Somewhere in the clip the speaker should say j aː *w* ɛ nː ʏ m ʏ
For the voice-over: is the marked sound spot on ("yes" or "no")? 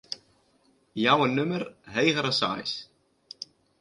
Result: yes